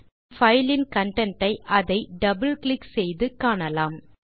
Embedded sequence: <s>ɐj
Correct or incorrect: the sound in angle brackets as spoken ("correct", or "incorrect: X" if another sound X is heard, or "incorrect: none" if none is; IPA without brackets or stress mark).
incorrect: f